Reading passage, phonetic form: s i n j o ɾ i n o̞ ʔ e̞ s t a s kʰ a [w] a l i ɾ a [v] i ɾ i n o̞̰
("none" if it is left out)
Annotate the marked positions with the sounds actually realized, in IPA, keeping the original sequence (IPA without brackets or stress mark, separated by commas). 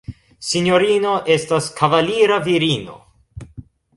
v, v